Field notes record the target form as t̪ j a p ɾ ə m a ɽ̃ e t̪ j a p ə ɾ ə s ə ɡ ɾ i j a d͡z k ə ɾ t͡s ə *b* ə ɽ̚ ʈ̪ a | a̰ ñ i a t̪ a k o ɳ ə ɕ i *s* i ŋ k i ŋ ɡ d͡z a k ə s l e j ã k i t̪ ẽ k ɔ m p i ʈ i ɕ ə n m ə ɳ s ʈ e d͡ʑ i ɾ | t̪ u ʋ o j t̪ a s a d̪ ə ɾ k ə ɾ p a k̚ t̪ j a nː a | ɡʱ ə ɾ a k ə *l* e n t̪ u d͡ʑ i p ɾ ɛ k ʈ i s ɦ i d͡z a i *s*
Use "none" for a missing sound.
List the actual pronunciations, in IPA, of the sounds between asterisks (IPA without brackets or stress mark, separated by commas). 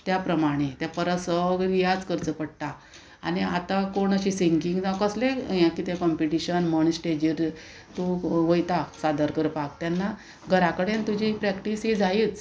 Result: p, s, ɽ, t͡s